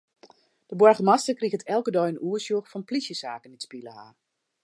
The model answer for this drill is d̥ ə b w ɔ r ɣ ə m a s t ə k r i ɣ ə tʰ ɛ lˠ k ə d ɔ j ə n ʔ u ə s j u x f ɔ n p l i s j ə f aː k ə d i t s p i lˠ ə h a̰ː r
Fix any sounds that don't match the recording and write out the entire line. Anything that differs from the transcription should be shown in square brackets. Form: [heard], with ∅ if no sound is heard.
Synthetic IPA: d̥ ə b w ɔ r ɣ ə m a s t ə k r i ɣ ə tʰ ɛ lˠ k ə d ɔ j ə n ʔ u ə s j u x f ɔ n p l i s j ə [s] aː k ə [n] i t s p i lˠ ə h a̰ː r